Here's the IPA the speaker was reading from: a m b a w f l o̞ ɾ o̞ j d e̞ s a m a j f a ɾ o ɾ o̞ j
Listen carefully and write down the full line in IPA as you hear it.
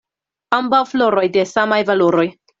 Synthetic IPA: a m b a w f l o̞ ɾ o̞ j d e̞ s a m a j v a l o ɾ o̞ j